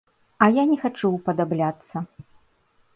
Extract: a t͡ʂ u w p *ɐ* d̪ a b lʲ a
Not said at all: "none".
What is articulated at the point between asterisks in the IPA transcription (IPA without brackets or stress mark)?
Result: ɐ